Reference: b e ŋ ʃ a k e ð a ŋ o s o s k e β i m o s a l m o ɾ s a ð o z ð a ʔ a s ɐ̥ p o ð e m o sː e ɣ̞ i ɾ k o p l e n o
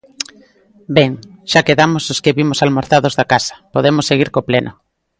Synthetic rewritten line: b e ŋ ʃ a k e ð a m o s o s k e β i m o s a l m o ɾ θ a ð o z ð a k a s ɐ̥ p o ð e m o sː e ɣ̞ i ɾ k o p l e n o